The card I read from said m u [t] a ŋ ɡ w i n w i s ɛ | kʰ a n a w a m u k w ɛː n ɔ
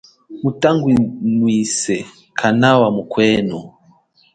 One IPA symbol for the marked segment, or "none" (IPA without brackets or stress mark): t